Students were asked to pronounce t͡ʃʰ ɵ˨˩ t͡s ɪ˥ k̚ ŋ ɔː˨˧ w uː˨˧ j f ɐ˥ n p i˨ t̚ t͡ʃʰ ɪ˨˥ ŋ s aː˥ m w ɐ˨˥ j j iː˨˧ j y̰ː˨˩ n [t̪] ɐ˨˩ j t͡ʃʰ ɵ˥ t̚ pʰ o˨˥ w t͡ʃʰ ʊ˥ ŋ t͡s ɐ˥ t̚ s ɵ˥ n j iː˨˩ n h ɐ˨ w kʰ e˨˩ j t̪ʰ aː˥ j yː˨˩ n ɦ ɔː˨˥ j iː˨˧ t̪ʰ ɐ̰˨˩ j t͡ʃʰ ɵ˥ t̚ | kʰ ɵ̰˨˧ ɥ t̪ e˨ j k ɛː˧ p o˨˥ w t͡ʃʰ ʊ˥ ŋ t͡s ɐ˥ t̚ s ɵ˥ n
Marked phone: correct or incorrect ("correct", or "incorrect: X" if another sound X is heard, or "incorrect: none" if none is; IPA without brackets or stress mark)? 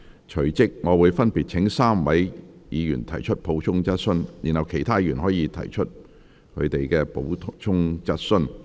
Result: incorrect: t̪ʰ